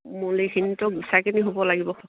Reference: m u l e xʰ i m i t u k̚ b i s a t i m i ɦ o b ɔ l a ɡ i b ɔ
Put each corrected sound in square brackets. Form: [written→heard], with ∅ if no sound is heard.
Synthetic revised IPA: m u l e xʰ i [m→n] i t [u→ɔ] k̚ b i s a [t→k] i [m→n] i ɦ o b ɔ l a ɡ i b ɔ